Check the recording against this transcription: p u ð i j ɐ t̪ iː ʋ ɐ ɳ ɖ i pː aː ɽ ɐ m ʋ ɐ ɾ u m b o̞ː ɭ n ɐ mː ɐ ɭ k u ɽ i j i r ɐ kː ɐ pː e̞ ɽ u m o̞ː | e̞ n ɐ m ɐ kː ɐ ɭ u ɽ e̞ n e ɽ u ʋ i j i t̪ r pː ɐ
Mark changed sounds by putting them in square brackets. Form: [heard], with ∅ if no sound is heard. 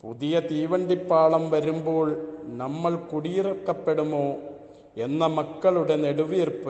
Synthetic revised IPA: p u ð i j ɐ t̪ iː ʋ ɐ ɳ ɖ i pː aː [ɭ] ɐ m ʋ ɐ ɾ u m b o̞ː ɭ n ɐ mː ɐ ɭ k u ɽ i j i r ɐ kː ɐ pː e̞ ɽ u m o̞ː | e̞ [nː] ɐ m ɐ kː ɐ ɭ u ɽ e̞ n e ɽ u ʋ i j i [∅] r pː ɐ